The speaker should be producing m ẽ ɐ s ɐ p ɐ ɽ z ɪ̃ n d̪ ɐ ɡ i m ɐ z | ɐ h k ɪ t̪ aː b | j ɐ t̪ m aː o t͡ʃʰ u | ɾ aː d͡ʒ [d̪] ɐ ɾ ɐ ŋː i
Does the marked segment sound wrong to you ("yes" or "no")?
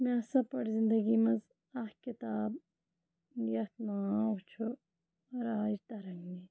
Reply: yes